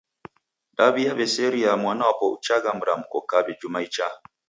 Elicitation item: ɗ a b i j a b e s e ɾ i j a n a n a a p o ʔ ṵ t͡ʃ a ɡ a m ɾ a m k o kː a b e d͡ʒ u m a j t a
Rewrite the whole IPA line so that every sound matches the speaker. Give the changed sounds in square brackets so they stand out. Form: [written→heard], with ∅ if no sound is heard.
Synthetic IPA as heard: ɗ a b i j a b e s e ɾ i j a [n→m] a n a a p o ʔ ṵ t͡ʃ a ɡ a m ɾ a m k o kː a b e d͡ʒ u m a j [t→t͡ʃ] a